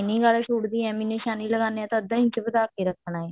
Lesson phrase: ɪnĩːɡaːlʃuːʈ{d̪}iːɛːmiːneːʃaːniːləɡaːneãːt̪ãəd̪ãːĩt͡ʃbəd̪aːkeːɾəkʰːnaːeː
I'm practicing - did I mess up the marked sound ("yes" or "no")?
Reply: no